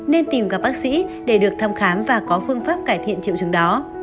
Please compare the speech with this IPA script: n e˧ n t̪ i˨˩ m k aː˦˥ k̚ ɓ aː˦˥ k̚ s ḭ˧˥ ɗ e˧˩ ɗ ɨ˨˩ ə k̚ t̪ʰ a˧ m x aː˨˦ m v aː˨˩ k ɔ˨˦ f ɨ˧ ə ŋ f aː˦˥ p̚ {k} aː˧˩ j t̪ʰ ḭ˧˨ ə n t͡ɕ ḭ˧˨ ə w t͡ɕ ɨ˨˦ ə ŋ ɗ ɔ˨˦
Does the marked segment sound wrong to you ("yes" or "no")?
no